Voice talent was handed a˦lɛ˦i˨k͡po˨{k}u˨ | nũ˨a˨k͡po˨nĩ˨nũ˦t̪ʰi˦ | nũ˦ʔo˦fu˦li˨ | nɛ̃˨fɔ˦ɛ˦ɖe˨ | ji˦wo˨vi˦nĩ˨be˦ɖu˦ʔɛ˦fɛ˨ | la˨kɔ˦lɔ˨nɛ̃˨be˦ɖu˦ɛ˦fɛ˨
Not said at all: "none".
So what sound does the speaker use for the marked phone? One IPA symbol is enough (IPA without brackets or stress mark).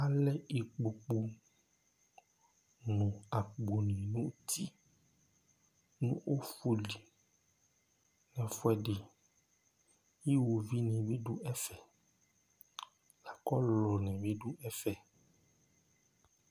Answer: k͡p